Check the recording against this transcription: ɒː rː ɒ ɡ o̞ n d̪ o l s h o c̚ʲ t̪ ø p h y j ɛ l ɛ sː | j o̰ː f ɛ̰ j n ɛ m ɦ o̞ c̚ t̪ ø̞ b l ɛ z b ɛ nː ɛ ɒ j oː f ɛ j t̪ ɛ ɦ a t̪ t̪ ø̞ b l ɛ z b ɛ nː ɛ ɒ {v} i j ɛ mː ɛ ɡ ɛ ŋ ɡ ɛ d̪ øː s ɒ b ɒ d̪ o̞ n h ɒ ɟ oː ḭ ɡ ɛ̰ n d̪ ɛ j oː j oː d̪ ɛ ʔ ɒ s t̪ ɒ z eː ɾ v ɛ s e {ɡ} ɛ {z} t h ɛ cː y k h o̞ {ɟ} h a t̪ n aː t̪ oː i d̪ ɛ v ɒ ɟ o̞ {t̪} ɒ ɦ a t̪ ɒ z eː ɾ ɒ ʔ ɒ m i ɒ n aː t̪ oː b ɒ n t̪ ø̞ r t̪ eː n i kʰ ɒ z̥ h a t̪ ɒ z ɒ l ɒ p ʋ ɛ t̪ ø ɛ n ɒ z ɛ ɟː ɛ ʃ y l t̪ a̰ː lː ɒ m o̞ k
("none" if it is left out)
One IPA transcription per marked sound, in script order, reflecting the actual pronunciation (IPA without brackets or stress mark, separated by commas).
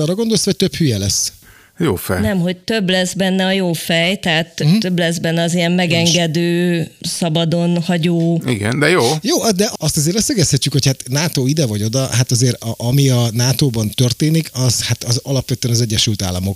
z, ɡ, s, c, d̪